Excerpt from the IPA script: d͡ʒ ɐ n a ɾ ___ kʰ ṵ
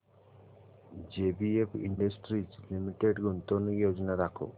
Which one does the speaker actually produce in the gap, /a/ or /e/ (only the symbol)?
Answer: a